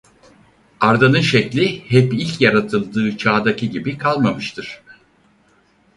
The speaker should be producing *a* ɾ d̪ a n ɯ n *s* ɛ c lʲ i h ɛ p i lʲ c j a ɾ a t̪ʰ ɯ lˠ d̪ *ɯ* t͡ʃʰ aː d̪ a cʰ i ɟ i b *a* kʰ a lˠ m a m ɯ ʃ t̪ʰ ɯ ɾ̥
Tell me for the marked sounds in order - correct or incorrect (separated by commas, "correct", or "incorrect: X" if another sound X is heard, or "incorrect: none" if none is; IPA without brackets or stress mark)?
correct, incorrect: ʃ, incorrect: ɯː, incorrect: i